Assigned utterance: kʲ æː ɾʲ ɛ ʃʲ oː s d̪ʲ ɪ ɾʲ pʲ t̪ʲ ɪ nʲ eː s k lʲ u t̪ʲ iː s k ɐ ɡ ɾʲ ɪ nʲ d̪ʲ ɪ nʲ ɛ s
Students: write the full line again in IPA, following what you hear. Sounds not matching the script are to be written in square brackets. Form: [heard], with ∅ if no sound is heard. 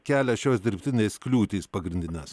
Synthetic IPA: kʲ æː [lʲ] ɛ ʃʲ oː s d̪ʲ ɪ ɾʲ pʲ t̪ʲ ɪ nʲ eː s k lʲ [uː] t̪ʲ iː s [p] ɐ ɡ ɾʲ ɪ nʲ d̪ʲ ɪ nʲ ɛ s